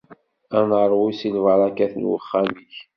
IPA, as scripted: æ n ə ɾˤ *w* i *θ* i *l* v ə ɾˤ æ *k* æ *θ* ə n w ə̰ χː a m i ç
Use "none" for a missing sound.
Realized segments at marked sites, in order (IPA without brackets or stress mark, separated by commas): w, s, l, k, θ